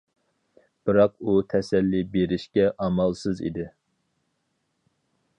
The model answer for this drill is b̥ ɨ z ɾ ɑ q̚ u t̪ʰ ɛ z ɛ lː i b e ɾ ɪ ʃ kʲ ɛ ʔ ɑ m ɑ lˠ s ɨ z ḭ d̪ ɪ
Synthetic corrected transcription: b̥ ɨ ɾ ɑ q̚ u t̪ʰ ɛ s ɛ lː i b e ɾ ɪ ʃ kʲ ɛ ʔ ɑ m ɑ lˠ s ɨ z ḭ d̪ ɪ